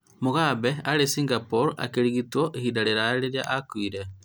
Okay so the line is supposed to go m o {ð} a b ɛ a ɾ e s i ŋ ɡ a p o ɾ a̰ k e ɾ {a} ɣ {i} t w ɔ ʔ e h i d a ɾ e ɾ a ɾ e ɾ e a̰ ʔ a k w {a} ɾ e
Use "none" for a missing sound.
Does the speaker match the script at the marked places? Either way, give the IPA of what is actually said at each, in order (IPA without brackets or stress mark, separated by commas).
ɣ, i, i, i